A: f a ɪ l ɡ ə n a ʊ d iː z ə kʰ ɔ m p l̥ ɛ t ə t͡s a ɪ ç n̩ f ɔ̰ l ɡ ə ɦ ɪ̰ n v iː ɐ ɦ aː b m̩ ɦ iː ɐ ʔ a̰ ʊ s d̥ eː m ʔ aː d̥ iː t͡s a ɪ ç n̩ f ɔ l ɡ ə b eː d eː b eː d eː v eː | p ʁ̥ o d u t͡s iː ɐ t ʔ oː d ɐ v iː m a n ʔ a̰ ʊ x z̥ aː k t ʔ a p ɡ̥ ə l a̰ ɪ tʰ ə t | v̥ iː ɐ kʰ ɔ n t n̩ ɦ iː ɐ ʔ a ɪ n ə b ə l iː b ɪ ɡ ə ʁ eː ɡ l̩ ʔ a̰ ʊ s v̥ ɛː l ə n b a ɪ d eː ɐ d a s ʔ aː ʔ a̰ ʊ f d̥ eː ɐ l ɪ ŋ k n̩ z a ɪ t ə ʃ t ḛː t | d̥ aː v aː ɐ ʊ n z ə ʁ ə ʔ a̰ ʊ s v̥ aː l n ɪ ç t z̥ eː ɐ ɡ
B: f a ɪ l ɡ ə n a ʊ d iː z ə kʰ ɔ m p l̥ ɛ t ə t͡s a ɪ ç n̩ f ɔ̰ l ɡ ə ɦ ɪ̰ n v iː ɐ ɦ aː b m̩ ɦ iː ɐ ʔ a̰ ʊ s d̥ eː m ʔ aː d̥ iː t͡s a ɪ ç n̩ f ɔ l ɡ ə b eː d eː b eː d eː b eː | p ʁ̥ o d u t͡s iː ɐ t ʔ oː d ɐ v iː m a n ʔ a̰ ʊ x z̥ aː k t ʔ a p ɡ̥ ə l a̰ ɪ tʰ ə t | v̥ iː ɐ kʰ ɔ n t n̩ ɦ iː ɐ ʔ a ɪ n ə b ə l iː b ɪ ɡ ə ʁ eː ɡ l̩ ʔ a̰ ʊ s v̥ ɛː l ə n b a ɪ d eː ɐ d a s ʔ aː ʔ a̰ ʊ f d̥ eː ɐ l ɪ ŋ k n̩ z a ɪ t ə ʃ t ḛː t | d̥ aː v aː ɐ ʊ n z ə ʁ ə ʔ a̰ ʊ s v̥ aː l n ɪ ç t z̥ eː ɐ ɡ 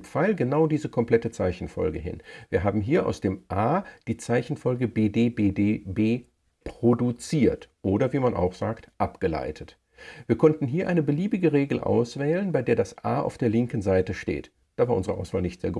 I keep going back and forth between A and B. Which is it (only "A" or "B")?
B